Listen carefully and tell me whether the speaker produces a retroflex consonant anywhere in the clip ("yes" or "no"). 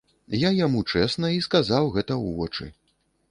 yes